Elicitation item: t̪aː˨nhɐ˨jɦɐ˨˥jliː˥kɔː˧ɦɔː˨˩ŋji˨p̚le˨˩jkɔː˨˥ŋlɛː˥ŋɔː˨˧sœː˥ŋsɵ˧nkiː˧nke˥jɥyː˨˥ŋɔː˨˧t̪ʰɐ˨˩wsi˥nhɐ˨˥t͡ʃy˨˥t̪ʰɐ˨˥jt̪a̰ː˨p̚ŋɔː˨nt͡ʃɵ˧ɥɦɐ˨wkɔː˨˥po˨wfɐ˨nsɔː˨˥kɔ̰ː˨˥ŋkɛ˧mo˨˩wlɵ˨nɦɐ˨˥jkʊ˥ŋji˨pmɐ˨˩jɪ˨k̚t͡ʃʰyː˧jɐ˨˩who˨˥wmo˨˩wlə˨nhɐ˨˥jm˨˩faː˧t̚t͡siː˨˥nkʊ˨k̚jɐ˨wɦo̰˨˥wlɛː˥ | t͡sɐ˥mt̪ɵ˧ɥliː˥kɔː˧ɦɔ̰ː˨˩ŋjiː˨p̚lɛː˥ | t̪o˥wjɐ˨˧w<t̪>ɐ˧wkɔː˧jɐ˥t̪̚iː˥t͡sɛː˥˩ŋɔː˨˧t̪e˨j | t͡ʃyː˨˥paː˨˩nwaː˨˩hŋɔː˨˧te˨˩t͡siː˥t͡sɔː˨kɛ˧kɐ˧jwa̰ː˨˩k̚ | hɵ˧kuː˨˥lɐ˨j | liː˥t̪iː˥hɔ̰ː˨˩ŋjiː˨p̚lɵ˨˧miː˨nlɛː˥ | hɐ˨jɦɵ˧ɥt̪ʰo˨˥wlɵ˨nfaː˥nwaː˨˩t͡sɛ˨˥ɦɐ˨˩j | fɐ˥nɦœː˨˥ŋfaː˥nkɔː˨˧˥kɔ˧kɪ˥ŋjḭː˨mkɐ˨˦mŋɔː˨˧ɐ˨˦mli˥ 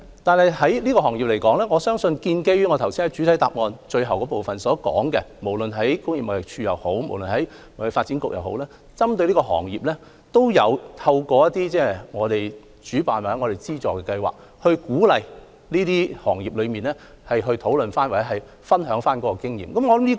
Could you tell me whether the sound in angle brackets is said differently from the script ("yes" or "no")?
yes